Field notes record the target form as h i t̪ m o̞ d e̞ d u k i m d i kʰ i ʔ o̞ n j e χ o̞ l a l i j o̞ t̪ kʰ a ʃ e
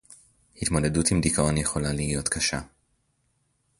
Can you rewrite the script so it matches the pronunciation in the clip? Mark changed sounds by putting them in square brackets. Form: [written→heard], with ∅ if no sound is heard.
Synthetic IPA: h i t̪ m o̞ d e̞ d u [k→t] i m d i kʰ [i→a] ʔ o̞ n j e χ o̞ l a l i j o̞ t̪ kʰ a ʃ [e→a]